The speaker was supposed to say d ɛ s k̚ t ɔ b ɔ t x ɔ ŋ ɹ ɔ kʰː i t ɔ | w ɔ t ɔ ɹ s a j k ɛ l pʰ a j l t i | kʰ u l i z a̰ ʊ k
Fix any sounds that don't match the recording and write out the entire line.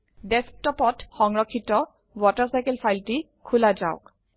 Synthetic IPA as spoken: d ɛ s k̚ t ɔ p ɔ t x ɔ ŋ ɹ ɔ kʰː i t ɔ | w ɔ t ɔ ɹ s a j k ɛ l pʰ a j l t i | kʰ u l a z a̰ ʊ k